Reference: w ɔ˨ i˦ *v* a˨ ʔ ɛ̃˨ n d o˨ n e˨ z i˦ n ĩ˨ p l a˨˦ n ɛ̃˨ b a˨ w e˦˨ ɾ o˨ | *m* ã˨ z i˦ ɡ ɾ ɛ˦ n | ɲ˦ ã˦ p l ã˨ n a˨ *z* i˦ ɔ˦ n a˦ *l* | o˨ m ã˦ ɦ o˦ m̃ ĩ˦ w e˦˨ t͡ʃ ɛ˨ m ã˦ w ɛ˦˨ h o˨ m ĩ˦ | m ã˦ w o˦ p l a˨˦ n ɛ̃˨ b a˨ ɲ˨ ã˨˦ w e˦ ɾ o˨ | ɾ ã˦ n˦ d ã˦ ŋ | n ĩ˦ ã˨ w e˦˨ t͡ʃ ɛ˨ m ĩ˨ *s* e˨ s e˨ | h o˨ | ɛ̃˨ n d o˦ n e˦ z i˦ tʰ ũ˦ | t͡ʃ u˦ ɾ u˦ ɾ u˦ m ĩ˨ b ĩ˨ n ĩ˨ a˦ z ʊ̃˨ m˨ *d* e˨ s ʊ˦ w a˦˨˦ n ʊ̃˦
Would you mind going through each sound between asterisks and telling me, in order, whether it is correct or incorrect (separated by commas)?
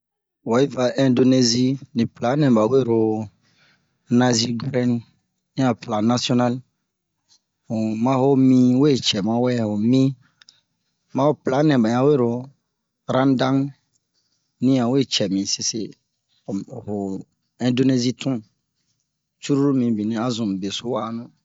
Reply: correct, incorrect, incorrect, correct, correct, incorrect